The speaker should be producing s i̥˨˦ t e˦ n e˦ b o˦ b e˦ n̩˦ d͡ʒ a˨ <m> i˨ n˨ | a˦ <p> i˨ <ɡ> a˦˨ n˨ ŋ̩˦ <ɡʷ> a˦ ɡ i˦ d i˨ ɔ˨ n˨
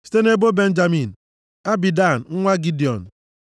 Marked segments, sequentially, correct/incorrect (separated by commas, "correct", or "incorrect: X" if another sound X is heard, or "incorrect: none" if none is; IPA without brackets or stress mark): correct, incorrect: b, incorrect: d, incorrect: ŋʷ